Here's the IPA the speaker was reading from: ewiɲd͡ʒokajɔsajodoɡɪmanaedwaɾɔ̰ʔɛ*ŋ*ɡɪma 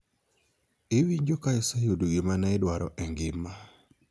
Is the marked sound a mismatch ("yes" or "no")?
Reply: no